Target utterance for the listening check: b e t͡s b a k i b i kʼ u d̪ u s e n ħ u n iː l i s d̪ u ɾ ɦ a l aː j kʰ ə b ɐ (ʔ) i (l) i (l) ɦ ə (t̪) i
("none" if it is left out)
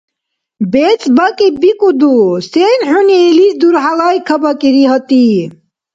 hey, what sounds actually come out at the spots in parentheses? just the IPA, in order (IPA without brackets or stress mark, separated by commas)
k, ɾ, none, t̪